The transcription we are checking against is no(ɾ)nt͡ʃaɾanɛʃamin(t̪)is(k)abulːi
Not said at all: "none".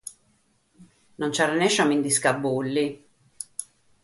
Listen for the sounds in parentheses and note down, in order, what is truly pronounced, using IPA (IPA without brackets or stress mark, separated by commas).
none, d̪, k